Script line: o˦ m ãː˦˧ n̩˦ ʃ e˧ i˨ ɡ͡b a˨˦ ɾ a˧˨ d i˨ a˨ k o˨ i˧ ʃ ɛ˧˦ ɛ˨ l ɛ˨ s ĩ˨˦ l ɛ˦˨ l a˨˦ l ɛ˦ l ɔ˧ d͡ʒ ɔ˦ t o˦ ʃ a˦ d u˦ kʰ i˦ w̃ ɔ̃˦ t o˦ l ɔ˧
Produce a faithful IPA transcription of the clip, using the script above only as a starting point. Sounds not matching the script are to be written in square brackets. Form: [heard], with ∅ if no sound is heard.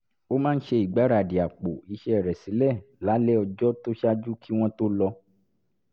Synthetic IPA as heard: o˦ m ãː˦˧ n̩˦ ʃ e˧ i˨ ɡ͡b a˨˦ ɾ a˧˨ d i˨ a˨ [k͡p] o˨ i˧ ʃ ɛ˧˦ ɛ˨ [ɾ] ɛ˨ s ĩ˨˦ l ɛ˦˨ l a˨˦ l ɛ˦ [∅] ɔ˧ d͡ʒ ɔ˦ t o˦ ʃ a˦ [d͡ʒ] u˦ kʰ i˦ w̃ ɔ̃˦ t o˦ l ɔ˧